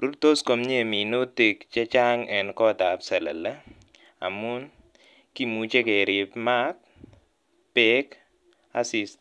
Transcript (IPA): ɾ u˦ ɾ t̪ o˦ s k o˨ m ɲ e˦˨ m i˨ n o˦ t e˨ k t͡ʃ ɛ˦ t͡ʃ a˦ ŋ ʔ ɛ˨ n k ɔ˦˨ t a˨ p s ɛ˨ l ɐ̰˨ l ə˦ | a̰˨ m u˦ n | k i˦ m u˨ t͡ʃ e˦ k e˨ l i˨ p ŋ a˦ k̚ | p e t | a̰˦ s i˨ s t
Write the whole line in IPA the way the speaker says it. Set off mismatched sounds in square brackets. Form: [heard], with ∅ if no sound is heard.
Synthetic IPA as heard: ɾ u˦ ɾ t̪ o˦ s k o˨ m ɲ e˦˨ m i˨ n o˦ t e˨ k t͡ʃ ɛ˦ t͡ʃ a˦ ŋ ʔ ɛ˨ n k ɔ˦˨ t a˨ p s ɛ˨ l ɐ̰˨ l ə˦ | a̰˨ m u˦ n | k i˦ m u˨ t͡ʃ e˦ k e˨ [ɾ] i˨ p [m] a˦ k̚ | p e [k] | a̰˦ s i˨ s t